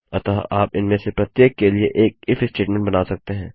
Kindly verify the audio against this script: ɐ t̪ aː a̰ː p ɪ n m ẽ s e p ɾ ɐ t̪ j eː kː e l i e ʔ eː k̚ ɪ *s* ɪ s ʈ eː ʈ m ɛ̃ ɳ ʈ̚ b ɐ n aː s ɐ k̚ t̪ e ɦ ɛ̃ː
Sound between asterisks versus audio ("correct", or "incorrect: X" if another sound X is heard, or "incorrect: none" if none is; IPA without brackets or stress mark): incorrect: f